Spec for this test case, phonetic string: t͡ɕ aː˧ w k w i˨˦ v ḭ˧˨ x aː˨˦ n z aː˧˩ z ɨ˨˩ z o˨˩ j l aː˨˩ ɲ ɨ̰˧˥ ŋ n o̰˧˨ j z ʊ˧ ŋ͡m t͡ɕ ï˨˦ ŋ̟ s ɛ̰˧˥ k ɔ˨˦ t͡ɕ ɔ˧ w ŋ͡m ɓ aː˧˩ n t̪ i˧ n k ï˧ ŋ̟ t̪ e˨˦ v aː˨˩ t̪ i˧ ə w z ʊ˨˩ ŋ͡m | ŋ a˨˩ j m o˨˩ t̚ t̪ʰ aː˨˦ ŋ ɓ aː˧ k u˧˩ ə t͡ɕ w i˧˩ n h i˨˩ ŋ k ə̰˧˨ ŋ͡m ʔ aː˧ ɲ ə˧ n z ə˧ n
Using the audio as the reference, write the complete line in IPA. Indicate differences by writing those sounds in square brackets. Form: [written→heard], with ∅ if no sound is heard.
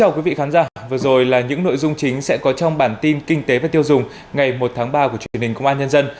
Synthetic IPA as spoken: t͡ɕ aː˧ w k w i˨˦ v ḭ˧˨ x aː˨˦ n z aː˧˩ [z→v] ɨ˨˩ z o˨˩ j l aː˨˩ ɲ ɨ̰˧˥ ŋ n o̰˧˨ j z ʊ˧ ŋ͡m t͡ɕ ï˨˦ ŋ̟ s ɛ̰˧˥ k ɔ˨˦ t͡ɕ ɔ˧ w ŋ͡m ɓ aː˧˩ n t̪ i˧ n k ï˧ ŋ̟ t̪ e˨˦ v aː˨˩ t̪ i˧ ə w z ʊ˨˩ ŋ͡m | ŋ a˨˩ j m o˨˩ t̚ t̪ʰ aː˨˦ ŋ ɓ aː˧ k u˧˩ ə t͡ɕ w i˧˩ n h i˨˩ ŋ k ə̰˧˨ ŋ͡m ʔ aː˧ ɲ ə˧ n z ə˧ n